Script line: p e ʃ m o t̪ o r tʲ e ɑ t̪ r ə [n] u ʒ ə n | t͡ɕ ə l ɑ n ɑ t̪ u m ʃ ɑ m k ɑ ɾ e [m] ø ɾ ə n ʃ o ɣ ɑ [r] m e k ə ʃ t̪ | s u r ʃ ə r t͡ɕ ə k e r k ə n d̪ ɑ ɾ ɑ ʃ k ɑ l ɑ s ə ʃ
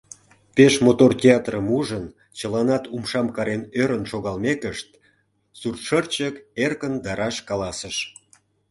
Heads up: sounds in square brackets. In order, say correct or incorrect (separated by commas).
incorrect, incorrect, incorrect